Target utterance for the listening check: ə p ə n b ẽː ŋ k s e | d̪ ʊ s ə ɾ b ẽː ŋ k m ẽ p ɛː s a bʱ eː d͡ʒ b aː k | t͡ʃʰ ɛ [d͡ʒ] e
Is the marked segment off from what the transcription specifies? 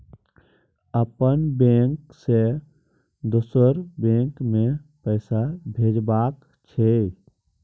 yes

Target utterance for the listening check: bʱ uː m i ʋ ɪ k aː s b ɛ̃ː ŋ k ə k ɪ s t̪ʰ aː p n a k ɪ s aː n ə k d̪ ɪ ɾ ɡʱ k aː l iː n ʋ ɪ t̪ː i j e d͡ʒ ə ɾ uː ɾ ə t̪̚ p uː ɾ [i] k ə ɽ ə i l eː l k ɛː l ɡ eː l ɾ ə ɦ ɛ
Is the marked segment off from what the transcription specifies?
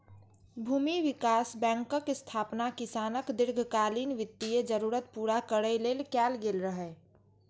yes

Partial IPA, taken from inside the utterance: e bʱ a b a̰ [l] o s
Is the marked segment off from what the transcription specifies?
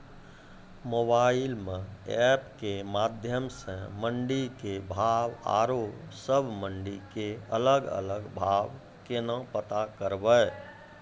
yes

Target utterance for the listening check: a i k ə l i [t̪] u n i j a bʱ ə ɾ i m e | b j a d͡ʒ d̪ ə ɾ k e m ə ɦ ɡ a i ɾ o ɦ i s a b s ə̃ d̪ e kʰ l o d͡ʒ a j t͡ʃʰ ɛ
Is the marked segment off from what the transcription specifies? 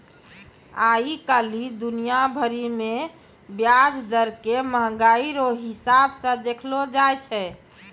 yes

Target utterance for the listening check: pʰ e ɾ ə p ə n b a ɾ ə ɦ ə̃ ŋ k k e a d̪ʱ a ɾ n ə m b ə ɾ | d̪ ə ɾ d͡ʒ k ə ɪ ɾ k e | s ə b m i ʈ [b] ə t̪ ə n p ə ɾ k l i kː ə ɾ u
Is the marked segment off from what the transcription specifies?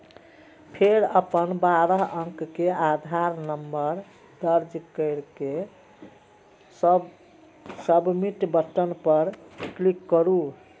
no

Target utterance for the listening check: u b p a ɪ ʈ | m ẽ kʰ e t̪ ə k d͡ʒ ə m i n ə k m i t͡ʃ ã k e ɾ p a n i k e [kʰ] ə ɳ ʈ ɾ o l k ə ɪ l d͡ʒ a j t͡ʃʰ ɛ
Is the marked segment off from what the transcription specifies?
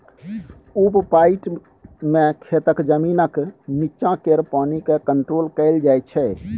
yes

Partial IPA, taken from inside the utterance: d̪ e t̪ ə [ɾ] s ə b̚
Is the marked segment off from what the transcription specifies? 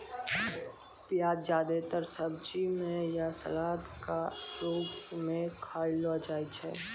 no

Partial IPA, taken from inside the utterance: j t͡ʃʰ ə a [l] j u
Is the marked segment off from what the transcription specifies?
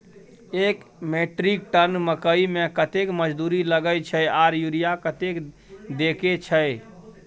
yes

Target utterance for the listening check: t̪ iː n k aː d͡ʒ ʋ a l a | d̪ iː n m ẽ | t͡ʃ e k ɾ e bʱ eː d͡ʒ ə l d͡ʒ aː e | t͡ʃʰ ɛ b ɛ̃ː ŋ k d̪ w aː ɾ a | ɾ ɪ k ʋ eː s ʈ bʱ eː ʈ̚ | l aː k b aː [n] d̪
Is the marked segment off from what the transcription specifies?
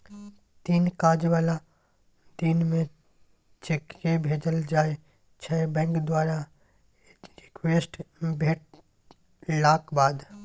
yes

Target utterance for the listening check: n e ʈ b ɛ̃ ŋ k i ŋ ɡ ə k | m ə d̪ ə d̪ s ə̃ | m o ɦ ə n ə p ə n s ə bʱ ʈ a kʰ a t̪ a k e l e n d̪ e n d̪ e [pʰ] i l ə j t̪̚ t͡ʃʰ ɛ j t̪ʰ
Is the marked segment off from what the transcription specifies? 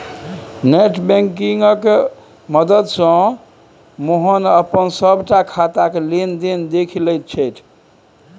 yes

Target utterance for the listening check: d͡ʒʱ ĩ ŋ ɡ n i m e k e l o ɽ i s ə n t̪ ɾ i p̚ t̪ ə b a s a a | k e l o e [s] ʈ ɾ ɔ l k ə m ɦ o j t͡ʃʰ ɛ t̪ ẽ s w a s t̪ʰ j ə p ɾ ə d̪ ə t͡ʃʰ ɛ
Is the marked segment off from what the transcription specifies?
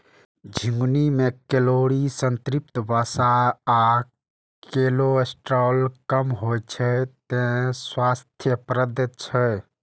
no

